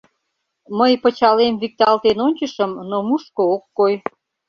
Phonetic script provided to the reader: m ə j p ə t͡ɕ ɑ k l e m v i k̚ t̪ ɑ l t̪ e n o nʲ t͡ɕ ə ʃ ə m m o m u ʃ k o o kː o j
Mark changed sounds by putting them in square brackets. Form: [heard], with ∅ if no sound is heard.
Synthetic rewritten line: m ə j p ə t͡ɕ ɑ [∅] l e m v i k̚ t̪ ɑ l t̪ e n o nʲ t͡ɕ ə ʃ ə m [n] o m u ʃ k o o kː o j

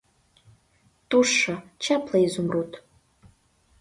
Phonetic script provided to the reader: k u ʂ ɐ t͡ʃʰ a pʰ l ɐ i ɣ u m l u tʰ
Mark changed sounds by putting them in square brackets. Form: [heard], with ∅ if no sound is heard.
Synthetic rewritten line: [t] u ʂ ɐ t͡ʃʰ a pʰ l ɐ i [z] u m [r] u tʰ

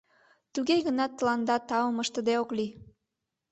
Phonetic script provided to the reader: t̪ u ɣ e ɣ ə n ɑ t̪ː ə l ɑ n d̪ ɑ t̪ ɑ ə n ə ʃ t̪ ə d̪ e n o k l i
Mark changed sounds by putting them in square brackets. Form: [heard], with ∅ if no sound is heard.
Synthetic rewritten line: t̪ u ɣ e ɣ ə n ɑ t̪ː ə l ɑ n d̪ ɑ t̪ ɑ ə [m] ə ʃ t̪ ə d̪ e [∅] o k l i

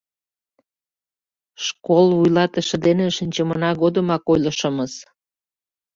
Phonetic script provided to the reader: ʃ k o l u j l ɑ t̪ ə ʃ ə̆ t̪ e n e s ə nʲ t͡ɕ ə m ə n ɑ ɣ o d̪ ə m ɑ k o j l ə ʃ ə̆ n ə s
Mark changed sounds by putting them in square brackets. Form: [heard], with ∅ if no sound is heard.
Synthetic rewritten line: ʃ k o l u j l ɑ t̪ ə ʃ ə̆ [d̪] e n e [ʃ] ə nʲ t͡ɕ ə m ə n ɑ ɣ o d̪ ə m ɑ k o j l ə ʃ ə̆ [m] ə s

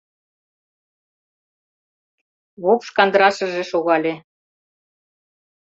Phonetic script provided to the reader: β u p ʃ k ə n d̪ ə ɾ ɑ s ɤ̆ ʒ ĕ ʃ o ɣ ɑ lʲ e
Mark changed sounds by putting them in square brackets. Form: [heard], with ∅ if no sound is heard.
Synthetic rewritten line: β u p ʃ k [ɑ] n d̪ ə ɾ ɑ [ʃ] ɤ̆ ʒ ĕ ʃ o ɣ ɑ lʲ e

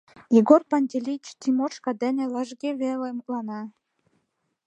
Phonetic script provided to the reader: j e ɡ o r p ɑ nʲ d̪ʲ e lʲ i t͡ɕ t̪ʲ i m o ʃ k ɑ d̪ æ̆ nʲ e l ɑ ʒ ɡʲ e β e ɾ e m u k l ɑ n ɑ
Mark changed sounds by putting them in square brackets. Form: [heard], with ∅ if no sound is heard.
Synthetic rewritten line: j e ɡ o r p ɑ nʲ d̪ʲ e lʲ i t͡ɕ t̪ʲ i m o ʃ k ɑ d̪ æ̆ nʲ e l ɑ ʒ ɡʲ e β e [l] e m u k l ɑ n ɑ

